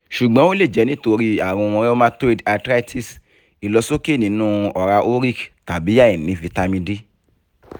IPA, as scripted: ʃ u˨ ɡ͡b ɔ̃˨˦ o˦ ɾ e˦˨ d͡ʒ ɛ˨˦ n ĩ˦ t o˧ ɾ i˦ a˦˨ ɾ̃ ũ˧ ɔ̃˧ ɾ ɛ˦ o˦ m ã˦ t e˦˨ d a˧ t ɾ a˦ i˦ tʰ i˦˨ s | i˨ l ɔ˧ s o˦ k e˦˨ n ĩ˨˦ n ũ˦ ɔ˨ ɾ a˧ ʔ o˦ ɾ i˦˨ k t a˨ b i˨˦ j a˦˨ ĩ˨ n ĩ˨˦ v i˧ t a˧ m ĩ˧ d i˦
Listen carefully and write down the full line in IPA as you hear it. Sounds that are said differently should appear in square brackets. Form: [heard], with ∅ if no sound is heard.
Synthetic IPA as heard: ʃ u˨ ɡ͡b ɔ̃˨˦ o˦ [l] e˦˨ d͡ʒ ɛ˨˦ n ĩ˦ t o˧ ɾ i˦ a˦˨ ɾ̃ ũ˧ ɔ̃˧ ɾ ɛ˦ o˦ m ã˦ t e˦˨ d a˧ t ɾ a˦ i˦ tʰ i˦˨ s | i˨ l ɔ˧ s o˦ k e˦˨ n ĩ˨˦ n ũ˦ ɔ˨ ɾ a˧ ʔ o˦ ɾ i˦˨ k t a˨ b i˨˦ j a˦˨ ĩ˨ n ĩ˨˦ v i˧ t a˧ m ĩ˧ d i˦